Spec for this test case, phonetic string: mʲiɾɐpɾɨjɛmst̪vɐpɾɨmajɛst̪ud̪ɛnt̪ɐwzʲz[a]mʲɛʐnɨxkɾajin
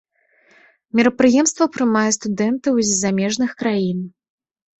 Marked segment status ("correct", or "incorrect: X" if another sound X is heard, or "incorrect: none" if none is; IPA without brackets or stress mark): correct